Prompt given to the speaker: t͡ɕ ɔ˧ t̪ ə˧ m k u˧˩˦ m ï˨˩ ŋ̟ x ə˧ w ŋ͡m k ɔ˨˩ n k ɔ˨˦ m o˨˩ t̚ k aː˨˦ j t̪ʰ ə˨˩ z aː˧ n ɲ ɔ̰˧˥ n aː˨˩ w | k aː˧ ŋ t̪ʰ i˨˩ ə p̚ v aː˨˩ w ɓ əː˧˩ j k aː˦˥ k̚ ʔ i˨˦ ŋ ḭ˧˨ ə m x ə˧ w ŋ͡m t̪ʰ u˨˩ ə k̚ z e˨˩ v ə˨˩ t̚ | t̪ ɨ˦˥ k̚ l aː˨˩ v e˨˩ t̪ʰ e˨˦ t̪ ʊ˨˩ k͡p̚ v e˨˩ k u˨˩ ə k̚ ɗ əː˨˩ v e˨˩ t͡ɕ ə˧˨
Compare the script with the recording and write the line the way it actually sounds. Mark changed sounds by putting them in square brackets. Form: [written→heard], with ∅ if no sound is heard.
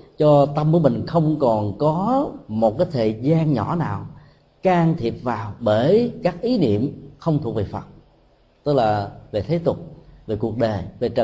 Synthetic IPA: t͡ɕ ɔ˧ t̪ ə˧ m k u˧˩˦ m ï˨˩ ŋ̟ x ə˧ w ŋ͡m k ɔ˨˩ n k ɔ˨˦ m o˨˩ t̚ k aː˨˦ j t̪ʰ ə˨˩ z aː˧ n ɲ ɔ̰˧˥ n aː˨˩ w | k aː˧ ŋ t̪ʰ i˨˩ ə p̚ v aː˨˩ w ɓ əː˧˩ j k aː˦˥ k̚ ʔ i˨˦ [ŋ→n] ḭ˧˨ ə m x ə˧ w ŋ͡m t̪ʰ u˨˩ ə k̚ [z→v] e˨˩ [v→f] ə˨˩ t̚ | t̪ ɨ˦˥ k̚ l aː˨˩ v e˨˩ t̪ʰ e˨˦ t̪ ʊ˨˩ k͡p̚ v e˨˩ k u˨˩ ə k̚ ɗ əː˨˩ v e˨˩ t͡ɕ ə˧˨